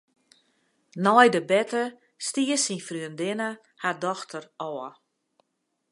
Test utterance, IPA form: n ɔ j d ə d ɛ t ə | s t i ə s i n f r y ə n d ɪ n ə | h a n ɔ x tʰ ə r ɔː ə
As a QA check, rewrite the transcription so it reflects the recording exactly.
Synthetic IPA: n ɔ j d ə b ɛ t ə | s t i ə s i n f r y ə n d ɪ n ə | h a d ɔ x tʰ ə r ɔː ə